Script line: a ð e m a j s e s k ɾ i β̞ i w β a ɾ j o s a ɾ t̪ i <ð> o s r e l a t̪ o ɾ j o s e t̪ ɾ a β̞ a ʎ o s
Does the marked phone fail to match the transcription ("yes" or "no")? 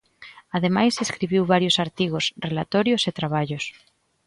yes